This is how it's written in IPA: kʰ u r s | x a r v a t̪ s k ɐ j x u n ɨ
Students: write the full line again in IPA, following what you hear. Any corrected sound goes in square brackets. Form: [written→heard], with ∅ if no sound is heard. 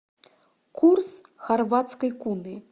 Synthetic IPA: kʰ u r s | x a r v a t̪ s k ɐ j [x→k] u n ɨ

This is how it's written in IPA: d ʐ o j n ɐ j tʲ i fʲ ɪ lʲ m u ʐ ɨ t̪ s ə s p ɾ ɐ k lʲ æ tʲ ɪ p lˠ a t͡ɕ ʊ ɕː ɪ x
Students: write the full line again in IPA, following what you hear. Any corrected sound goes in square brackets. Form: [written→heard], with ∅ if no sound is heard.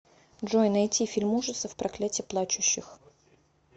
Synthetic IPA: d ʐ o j n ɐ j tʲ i fʲ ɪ lʲ m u ʐ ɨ t̪ s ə [s→f] p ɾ ɐ k lʲ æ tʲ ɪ p lˠ a t͡ɕ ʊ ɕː ɪ x

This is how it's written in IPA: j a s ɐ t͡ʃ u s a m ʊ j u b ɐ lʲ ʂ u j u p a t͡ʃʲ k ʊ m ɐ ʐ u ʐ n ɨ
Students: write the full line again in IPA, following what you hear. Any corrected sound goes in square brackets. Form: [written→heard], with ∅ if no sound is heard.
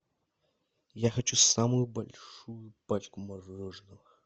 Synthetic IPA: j a [s→x] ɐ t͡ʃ u s a m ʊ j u b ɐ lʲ ʂ u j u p a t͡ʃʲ k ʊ m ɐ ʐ [u→ɔ] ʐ n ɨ

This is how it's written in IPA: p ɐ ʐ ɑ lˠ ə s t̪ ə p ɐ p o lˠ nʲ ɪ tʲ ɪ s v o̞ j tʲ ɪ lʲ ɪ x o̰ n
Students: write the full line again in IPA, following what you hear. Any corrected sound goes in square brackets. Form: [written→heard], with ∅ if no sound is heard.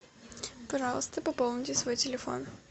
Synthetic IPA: p ɐ ʐ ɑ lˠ ə s t̪ ə p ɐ p o lˠ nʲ ɪ tʲ ɪ s v o̞ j tʲ ɪ lʲ ɪ [x→f] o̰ n

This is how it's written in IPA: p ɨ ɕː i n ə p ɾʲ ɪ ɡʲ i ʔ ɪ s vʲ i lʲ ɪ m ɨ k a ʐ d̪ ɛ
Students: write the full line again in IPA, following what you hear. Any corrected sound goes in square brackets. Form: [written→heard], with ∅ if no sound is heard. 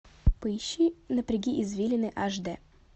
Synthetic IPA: p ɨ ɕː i n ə p ɾʲ ɪ ɡʲ i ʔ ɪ [s→z] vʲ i lʲ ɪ [m→n] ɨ [k→ʔ] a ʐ d̪ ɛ

